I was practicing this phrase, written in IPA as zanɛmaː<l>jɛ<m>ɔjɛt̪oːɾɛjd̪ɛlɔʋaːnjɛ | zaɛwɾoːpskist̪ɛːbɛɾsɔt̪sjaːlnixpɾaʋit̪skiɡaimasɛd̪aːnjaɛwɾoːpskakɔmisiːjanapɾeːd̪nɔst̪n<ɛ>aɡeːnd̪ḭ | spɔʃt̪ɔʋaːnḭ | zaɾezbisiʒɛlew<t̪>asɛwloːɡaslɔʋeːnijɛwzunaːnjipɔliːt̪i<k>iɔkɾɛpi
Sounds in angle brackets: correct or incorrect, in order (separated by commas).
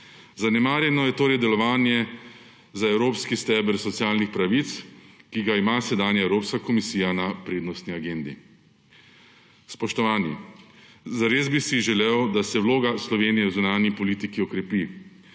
incorrect, incorrect, incorrect, incorrect, correct